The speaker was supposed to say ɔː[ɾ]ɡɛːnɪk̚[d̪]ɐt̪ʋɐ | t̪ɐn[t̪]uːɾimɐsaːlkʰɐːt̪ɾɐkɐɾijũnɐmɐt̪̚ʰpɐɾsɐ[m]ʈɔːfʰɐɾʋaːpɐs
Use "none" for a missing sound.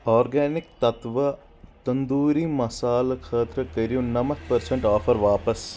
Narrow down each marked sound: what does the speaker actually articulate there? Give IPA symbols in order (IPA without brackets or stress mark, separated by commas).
ɾ, t̪, d̪, ɳ